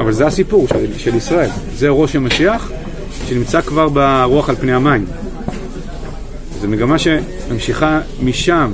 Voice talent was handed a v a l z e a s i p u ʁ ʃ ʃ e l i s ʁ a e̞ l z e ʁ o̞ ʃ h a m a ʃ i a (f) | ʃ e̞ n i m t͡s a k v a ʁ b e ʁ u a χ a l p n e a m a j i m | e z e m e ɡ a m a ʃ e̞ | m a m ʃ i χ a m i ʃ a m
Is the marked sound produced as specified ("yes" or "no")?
no